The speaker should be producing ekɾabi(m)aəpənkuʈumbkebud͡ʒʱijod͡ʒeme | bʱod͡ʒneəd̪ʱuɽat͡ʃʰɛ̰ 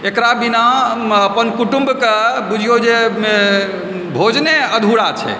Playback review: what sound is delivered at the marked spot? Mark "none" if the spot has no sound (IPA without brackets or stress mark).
n